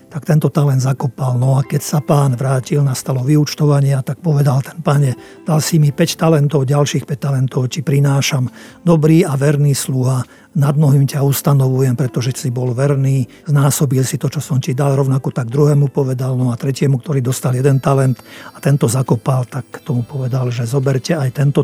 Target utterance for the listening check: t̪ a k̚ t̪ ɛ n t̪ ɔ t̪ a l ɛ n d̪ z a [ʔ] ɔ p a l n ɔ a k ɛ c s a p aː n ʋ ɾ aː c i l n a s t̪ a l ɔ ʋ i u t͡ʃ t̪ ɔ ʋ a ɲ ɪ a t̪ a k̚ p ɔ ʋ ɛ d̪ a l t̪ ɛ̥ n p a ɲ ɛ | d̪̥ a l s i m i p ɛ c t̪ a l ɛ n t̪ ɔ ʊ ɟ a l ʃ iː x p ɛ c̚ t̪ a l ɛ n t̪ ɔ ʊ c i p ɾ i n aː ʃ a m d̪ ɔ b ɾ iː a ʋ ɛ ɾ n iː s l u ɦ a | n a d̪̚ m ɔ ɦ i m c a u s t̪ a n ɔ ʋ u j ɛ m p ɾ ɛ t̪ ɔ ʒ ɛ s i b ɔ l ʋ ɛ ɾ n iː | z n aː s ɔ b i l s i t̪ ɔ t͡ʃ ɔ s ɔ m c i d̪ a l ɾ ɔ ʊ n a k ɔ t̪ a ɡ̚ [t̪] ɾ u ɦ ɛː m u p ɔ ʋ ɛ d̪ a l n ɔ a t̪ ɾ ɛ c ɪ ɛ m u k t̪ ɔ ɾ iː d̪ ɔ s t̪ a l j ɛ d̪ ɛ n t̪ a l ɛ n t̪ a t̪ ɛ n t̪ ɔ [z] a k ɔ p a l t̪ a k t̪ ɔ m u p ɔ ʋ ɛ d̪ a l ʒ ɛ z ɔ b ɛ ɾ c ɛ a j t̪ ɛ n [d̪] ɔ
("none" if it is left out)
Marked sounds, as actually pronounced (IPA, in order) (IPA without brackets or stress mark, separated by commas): k, d̪, z, t̪